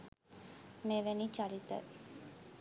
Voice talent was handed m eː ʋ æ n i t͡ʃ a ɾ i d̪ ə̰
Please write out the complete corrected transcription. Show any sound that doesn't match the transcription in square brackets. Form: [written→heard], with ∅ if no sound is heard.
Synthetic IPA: m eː ʋ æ n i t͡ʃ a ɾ i [d̪→t̪] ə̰